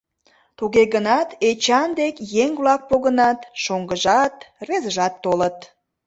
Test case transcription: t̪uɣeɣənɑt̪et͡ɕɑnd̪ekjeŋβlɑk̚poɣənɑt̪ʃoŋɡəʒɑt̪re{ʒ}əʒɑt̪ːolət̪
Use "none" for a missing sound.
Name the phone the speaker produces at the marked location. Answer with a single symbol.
z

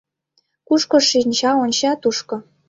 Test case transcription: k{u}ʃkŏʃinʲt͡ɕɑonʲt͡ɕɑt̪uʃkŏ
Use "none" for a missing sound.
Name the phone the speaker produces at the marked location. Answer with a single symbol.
u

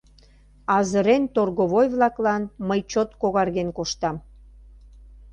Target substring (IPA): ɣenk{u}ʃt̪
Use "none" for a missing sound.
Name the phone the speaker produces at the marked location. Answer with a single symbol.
o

